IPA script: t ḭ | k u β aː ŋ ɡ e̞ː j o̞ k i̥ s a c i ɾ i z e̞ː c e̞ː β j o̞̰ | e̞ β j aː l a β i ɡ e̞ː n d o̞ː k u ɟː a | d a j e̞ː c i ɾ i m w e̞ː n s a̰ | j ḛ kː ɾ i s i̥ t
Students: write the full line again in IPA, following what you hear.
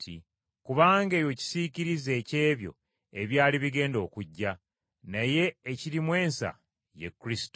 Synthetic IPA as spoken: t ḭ | k u β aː ŋ ɡ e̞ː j o̞ c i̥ s i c i ɾ i z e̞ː c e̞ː β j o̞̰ | e̞ β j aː l i β i ɡ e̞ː n d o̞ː k u ɟː a | n a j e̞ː c i ɾ i m w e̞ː n s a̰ | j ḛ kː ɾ i s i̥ t